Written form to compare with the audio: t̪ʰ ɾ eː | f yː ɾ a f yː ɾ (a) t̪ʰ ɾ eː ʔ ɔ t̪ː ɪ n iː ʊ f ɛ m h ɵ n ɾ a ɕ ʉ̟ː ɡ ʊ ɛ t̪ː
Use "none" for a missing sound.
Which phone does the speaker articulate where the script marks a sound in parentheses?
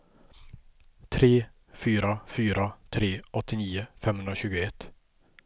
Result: a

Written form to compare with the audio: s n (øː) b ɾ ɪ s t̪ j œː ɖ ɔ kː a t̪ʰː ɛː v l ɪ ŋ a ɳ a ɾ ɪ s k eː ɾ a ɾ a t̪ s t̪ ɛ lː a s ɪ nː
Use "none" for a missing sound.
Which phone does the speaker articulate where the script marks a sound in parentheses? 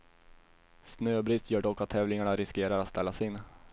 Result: øː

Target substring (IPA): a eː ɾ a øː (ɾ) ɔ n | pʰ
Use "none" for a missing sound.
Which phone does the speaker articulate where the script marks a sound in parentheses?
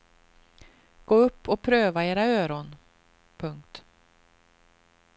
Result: ɾ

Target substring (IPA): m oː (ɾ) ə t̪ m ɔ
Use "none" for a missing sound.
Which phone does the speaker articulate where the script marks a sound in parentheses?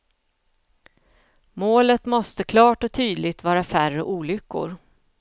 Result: l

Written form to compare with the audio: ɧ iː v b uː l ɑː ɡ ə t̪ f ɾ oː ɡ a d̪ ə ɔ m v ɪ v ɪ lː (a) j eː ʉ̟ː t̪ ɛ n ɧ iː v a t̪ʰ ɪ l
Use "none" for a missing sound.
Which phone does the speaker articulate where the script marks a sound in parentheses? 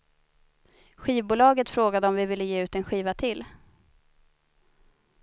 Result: ə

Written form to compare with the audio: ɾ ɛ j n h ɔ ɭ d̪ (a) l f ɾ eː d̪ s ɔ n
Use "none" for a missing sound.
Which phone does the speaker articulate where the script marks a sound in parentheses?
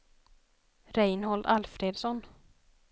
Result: a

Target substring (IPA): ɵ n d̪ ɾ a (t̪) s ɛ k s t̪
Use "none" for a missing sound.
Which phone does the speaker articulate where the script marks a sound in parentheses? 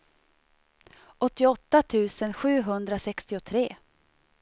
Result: none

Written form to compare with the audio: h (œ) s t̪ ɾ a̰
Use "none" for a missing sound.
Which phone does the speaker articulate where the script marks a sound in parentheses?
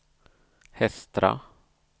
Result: ɛ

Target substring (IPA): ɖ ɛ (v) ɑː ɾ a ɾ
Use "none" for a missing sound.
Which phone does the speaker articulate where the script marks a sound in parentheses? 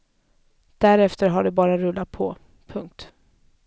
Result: b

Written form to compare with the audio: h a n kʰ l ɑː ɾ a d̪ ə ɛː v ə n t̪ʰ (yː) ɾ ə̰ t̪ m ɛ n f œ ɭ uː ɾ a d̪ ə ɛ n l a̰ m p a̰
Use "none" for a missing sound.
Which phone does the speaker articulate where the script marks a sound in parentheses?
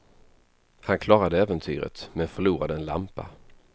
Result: yː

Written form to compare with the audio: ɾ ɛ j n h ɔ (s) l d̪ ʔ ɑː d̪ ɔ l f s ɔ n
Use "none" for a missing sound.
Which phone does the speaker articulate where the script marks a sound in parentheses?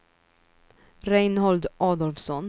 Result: none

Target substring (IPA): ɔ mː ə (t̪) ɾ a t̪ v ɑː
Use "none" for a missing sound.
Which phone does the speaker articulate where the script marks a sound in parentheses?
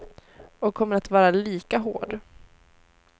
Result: none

